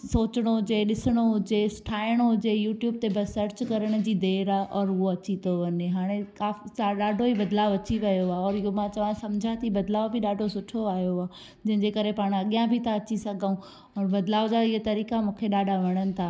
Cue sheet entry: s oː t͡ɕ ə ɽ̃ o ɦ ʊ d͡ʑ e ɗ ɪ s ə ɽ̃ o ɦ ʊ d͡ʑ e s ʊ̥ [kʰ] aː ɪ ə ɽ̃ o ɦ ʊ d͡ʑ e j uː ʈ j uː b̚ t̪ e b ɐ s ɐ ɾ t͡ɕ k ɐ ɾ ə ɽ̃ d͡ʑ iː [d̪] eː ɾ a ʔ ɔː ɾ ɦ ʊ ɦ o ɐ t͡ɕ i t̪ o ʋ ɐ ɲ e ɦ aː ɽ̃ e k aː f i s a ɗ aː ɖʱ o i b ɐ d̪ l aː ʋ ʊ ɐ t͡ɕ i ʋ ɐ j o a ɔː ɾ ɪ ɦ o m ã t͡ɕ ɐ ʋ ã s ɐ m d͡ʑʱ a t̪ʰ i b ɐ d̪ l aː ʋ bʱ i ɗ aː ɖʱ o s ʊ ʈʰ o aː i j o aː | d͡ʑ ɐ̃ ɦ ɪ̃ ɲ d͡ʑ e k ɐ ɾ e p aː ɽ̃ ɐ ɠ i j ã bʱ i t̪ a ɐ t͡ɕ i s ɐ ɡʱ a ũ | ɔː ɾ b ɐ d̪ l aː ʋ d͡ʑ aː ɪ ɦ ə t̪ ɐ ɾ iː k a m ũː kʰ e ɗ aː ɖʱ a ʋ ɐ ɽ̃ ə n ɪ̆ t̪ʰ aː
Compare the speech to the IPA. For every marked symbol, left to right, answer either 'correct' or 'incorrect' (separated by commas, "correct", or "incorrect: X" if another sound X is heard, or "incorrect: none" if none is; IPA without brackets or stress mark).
incorrect: ʈʰ, correct